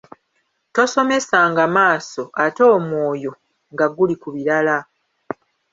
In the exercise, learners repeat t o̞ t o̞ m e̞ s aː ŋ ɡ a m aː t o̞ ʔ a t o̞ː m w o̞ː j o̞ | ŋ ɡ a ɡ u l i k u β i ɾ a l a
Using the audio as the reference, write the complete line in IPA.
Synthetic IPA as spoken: t o̞ s o̞ m e̞ s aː ŋ ɡ a m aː s o̞ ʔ a t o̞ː m w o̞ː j o̞ | ŋ ɡ a ɡ u l i k u β i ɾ a l a